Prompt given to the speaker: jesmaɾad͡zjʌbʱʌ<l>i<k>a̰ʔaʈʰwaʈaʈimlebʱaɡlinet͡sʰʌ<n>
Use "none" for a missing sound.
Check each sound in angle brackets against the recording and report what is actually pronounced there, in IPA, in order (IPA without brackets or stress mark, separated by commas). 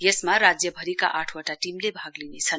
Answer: ɾ, k, n